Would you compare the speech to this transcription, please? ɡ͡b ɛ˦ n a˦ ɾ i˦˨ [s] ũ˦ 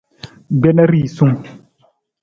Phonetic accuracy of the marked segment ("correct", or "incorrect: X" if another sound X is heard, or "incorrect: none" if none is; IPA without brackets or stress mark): correct